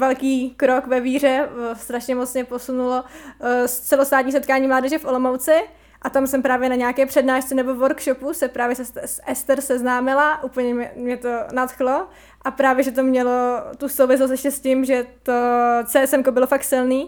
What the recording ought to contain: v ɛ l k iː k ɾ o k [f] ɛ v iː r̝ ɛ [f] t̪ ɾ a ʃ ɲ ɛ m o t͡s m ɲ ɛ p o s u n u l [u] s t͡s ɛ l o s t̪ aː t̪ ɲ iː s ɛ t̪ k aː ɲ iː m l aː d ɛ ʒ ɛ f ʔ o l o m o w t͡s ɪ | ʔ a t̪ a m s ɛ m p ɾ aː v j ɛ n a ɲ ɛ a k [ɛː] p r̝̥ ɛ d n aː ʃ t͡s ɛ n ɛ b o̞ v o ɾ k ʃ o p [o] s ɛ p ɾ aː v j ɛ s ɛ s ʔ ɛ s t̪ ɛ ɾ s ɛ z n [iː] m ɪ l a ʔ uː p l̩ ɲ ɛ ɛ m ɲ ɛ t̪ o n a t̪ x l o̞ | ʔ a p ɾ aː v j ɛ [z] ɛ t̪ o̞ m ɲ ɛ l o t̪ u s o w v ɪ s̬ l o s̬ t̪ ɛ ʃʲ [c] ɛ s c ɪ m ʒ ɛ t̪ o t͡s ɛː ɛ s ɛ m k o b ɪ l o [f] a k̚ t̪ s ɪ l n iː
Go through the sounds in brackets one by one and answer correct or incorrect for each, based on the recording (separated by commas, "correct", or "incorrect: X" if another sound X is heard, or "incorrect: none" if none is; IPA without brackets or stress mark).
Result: incorrect: v, incorrect: s, incorrect: o, correct, incorrect: u, incorrect: aː, incorrect: ʒ, correct, correct